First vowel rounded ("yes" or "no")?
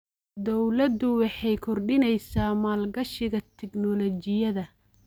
yes